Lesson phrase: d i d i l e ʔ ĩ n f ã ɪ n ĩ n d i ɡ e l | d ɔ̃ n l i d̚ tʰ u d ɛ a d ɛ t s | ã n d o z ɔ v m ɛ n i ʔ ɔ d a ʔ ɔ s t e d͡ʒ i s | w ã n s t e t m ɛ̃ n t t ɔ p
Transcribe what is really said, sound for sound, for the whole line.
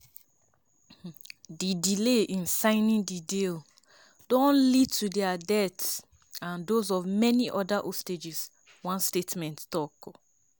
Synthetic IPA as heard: d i d i l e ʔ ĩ n s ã ɪ n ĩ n d i d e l | d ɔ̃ n l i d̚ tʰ u d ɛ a d ɛ t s | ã n d o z ɔ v m ɛ n i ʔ ɔ d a ʔ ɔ s t e d͡ʒ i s | w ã n s t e t m ɛ̃ n t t ɔ k